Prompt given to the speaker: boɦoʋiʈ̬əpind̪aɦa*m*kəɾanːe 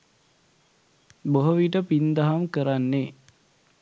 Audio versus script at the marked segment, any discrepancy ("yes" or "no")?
no